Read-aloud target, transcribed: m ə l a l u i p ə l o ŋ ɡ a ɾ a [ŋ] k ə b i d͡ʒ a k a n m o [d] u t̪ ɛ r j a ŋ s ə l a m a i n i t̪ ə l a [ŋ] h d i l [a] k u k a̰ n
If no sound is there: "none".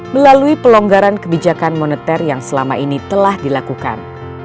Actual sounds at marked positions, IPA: n, n, none, a

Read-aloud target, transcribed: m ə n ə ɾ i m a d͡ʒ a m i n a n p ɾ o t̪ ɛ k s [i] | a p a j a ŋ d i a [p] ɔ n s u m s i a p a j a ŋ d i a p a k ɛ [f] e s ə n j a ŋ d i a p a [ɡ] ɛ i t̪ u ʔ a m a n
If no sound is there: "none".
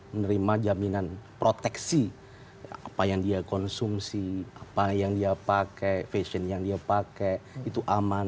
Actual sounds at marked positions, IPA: i, k, f, k

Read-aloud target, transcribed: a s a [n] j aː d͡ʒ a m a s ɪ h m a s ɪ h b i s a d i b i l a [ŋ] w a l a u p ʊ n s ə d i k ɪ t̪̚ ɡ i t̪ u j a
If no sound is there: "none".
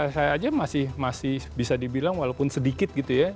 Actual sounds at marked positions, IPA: none, ŋ

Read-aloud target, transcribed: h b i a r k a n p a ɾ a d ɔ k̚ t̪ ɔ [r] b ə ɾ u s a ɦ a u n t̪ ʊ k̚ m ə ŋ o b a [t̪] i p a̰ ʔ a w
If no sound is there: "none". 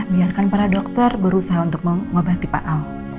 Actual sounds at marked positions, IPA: r, t̪

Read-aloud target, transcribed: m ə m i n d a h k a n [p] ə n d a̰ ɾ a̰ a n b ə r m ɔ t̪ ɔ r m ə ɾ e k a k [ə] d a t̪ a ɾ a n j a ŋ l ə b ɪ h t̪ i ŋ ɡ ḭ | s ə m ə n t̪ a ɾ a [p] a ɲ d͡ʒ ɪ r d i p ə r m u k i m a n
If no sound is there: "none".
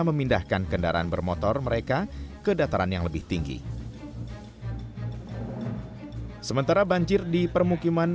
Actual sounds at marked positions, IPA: k, ə, b

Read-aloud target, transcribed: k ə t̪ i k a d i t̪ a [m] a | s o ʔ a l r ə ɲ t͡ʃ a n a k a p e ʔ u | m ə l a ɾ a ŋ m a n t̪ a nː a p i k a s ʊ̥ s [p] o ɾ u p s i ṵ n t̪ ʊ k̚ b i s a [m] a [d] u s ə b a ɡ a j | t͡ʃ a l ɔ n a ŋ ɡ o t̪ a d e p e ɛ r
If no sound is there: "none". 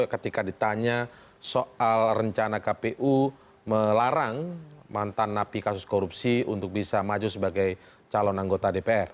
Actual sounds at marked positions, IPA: ɲ, k, m, d͡ʒ

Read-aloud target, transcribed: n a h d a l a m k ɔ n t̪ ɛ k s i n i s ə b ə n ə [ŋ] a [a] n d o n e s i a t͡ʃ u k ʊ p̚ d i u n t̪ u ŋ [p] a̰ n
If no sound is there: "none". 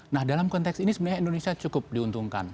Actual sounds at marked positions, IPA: ɲ, i, k

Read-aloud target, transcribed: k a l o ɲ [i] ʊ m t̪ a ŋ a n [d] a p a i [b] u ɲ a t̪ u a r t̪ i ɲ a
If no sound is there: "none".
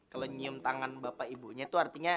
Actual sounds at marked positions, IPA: i, b, b

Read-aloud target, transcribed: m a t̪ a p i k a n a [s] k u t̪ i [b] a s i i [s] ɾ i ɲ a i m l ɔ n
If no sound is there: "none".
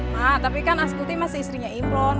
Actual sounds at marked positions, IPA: s, m, s

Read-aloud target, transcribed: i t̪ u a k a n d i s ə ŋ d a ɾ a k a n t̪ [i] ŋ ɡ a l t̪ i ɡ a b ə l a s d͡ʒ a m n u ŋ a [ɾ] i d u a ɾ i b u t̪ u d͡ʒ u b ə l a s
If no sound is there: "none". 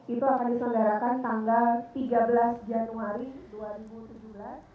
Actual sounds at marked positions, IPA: a, ɾ

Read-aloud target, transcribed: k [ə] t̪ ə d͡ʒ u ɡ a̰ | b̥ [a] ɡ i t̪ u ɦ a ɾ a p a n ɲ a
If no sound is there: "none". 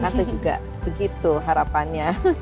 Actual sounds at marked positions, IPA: a, ə

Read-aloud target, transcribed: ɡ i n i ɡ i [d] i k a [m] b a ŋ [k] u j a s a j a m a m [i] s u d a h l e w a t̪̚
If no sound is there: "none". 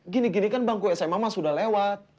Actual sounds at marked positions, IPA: n, n, k, a

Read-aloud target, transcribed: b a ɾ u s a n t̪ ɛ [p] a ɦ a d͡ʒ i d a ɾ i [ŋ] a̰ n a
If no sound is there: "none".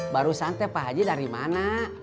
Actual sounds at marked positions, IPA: p, m

